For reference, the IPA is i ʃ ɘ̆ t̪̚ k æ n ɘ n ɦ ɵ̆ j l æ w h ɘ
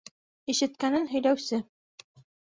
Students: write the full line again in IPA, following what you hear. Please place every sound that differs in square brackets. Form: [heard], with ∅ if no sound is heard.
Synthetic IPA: i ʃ ɘ̆ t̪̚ k æ n ɘ n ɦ ɵ̆ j l æ w [s] ɘ